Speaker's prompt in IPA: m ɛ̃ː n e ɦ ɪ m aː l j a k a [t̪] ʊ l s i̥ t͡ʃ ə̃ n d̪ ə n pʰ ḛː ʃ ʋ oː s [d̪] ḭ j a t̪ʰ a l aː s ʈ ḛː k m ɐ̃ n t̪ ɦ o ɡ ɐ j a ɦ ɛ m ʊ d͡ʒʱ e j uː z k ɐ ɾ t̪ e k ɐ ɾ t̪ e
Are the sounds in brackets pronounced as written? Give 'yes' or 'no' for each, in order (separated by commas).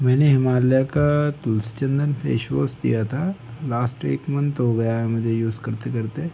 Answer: yes, yes